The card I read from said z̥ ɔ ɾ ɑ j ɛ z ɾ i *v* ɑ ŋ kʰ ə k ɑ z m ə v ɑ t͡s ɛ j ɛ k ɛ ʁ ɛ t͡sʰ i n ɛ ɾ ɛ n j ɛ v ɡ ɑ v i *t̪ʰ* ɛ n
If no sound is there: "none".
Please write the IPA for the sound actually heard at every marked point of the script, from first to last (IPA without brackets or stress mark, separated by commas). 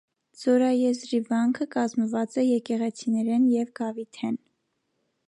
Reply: v, t̪ʰ